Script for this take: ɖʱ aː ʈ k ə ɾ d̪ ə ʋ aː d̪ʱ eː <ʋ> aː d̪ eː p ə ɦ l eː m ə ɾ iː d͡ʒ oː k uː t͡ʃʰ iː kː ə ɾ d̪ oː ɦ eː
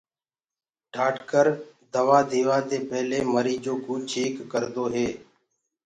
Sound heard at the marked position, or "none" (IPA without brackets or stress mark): ʋ